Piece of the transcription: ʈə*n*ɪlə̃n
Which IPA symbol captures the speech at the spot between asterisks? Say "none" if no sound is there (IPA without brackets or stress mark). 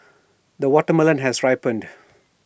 m